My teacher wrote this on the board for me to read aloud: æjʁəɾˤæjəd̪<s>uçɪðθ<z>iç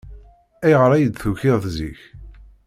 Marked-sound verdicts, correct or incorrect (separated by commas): incorrect, correct